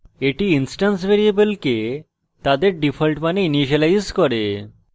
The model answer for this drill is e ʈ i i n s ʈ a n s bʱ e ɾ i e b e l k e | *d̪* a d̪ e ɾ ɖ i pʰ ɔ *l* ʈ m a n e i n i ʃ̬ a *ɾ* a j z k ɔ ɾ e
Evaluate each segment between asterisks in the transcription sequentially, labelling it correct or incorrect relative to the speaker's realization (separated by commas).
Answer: incorrect, correct, incorrect